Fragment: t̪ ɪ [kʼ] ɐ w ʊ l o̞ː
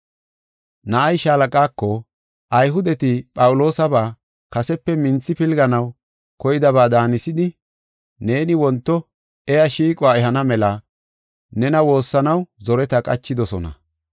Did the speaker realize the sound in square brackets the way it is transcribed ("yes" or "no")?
no